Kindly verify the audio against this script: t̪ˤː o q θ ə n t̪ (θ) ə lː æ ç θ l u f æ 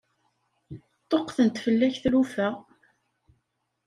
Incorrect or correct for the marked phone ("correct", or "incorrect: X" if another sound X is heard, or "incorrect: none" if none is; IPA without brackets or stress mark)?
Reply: incorrect: f